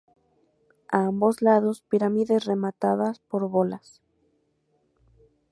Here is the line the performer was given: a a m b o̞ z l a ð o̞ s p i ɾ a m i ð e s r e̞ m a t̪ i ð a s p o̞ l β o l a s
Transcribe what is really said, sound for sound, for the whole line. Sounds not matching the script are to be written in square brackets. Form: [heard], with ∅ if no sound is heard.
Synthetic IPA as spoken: a a m b o̞ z l a ð o̞ s p i ɾ a m i ð e s r e̞ m a t̪ [a] ð a s p o̞ [ɾ] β o l a s